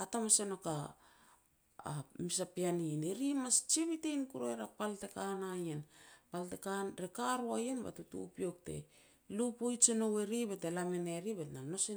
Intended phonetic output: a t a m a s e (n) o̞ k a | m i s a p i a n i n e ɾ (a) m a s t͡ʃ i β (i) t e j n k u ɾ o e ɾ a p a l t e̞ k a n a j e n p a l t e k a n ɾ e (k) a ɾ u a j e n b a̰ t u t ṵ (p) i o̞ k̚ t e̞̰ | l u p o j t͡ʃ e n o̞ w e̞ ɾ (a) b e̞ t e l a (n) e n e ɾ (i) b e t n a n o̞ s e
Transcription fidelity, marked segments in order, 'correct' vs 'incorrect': correct, incorrect, correct, correct, correct, incorrect, incorrect, correct

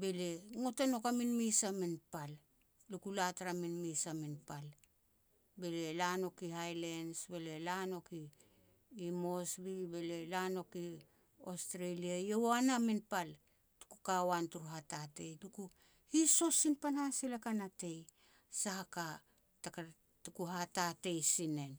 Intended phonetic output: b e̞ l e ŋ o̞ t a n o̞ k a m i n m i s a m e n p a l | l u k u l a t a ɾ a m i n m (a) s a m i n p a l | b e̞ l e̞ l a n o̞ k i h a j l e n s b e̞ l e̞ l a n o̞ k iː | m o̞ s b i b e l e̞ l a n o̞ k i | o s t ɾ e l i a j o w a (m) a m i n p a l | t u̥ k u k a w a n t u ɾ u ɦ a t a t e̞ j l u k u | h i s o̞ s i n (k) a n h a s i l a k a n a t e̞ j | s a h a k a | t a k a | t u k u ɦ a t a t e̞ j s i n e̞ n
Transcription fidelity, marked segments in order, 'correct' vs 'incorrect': incorrect, incorrect, incorrect

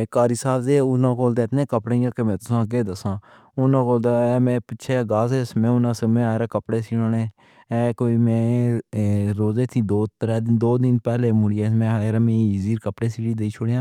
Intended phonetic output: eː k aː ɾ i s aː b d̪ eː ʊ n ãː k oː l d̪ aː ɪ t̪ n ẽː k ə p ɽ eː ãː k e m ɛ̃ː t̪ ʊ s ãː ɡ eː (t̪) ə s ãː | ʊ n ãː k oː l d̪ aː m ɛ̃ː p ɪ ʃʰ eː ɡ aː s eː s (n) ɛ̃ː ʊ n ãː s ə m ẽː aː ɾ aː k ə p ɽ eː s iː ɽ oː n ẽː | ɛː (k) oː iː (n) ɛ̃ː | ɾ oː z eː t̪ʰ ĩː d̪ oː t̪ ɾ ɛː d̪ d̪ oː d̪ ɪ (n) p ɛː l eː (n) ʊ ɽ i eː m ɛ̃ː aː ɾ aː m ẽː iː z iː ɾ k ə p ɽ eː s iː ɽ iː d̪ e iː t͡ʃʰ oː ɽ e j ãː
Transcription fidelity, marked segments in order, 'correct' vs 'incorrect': incorrect, incorrect, correct, incorrect, correct, incorrect

